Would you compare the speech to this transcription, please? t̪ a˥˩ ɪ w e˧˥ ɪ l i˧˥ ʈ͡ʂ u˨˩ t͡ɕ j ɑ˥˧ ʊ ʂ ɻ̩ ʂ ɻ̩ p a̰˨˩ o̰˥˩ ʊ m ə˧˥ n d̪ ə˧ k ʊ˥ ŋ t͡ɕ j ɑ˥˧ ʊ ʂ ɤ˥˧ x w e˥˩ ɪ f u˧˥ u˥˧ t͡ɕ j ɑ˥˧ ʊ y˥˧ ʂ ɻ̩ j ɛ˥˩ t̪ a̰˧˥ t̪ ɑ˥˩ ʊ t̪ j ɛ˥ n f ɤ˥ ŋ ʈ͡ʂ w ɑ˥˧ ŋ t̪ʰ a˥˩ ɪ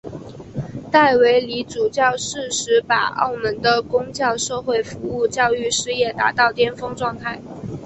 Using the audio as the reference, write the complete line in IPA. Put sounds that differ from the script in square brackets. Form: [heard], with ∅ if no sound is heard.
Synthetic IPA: t̪ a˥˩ ɪ w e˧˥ ɪ l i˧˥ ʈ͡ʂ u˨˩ t͡ɕ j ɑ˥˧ ʊ ʂ ɻ̩ ʂ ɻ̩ p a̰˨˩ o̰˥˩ ʊ m ə˧˥ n d̪ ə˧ k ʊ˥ ŋ t͡ɕ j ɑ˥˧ ʊ ʂ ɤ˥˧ x w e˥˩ ɪ f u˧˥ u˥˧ t͡ɕ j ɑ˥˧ ʊ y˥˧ ʂ ɻ̩ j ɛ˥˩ t̪ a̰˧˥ t̪ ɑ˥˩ ʊ t̪ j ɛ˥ n f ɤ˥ ŋ ʈ͡ʂ w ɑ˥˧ ŋ t̪ʰ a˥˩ ɪ